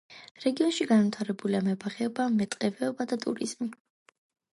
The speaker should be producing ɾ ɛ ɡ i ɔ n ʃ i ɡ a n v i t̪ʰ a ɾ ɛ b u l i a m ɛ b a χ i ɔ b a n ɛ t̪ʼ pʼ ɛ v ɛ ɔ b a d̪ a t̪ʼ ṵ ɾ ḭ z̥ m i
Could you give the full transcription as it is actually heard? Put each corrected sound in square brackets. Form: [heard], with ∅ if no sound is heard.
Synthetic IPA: ɾ ɛ ɡ i ɔ n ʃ i ɡ a n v i t̪ʰ a ɾ ɛ b u l i a m ɛ b a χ [ɛ] ɔ b a [m] ɛ t̪ʼ [qʼ] ɛ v ɛ ɔ b a d̪ a t̪ʼ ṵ ɾ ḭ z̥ m i